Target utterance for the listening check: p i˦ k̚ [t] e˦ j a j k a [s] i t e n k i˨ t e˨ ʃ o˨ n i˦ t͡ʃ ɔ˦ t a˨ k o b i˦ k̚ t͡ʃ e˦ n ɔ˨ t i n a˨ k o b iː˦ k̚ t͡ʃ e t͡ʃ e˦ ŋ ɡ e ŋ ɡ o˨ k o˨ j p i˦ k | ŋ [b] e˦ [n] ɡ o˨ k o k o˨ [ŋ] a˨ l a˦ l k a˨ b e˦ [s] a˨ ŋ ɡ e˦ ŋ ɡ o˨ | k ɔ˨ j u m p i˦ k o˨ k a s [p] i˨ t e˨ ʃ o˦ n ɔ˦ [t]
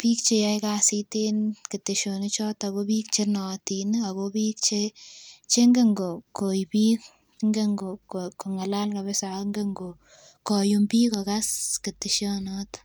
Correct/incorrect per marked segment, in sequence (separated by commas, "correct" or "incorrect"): incorrect, correct, incorrect, incorrect, correct, correct, incorrect, correct